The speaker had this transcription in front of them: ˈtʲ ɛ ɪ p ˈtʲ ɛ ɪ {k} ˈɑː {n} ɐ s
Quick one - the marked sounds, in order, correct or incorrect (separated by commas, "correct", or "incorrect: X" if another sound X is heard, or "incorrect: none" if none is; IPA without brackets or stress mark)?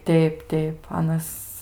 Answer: incorrect: p, correct